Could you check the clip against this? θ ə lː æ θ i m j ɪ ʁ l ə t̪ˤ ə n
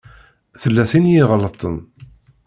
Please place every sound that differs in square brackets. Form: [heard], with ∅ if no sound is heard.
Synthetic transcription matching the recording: θ ə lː æ θ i [n] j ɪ ʁ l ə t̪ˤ ə n